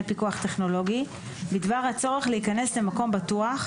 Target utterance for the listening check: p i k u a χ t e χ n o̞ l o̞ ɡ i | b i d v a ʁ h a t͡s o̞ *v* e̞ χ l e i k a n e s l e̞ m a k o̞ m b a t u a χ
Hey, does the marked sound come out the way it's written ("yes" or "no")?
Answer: no